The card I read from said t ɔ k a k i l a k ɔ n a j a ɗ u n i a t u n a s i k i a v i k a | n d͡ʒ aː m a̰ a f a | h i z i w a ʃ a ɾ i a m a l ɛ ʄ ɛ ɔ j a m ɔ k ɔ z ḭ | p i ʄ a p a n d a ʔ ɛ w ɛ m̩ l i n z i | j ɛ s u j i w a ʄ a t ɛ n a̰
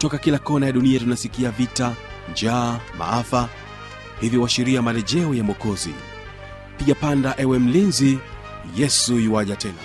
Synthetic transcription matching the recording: t ɔ k a k i l a k ɔ n a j a ɗ u n i a t u n a s i k i a v i t a | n d͡ʒ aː m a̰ a f a | h i v i w a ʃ i ɾ i a m a l ɛ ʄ ɛ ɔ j a m ɔ k ɔ z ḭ | p i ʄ a p a n d a ʔ ɛ w ɛ m̩ l i n z i | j ɛ s u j i w a ʄ a t ɛ n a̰